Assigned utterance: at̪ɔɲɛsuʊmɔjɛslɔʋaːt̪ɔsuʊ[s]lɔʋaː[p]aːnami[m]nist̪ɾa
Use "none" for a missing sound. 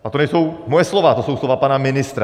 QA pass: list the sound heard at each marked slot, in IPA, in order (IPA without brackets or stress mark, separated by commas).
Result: s, p, none